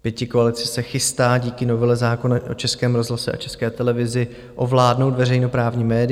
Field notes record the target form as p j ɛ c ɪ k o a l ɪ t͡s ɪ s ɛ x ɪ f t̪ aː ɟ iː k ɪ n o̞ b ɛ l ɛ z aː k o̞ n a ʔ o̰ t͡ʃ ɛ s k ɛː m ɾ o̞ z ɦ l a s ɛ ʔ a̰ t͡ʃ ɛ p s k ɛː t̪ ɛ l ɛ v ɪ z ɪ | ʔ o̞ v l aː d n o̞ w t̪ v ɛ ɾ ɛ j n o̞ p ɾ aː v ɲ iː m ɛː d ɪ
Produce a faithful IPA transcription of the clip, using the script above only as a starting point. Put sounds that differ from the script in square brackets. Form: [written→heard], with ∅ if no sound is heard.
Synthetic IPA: p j ɛ c ɪ k o a l ɪ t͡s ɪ s ɛ x ɪ [f→s] t̪ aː ɟ iː k ɪ n o̞ [b→v] ɛ l ɛ z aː k o̞ n a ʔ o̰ t͡ʃ ɛ s k ɛː m ɾ o̞ z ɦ l a s ɛ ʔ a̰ t͡ʃ ɛ [p→∅] s k ɛː t̪ ɛ l ɛ v ɪ z ɪ | ʔ o̞ v l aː d n o̞ w t̪ v ɛ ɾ ɛ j n o̞ p ɾ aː v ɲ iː m ɛː d ɪ